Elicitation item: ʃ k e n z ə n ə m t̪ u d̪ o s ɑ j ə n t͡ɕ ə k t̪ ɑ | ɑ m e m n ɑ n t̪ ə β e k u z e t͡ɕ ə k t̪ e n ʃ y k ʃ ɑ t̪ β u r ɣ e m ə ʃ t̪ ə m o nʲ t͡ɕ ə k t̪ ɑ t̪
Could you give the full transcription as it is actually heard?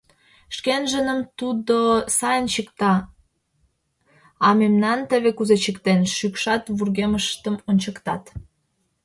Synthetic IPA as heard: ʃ k e n ʒ ə n ə m t̪ u d̪ o s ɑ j ə n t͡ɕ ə k t̪ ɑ | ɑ m e m n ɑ n t̪ ə β e k u z e t͡ɕ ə k t̪ e n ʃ y k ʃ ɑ t̪ β u r ɣ e m ə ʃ t̪ ə m o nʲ t͡ɕ ə k t̪ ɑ t̪